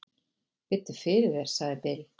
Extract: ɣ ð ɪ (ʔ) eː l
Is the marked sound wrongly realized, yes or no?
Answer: yes